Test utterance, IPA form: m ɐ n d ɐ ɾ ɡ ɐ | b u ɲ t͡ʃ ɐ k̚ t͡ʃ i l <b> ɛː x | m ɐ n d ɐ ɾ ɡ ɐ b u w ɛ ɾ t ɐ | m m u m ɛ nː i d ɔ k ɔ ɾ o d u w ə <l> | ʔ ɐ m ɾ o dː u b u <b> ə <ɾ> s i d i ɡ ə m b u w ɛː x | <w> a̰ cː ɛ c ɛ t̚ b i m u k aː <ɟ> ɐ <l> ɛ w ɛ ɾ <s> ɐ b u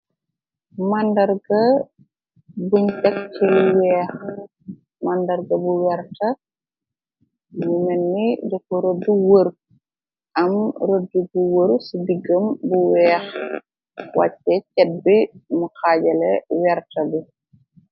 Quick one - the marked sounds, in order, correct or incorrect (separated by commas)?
incorrect, incorrect, incorrect, correct, correct, correct, correct, incorrect